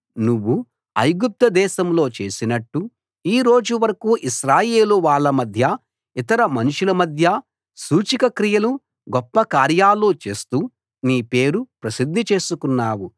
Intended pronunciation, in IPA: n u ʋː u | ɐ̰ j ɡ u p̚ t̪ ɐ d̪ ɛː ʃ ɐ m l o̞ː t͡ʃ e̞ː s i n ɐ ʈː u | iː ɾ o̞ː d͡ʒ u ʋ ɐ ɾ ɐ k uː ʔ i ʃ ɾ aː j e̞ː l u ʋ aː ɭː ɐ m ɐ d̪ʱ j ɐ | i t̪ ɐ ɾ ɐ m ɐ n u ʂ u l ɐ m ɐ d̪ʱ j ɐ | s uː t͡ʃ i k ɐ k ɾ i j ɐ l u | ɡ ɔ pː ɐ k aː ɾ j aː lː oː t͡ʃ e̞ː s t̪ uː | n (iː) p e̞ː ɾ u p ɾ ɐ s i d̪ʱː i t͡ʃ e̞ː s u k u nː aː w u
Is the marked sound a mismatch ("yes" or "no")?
no